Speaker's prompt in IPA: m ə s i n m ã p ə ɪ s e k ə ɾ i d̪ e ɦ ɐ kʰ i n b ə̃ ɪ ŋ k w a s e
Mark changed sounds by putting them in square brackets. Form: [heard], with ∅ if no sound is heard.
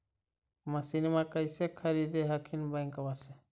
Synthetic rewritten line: m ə s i n m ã [k] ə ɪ s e [kʰ] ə ɾ i d̪ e ɦ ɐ kʰ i n b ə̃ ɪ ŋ k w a s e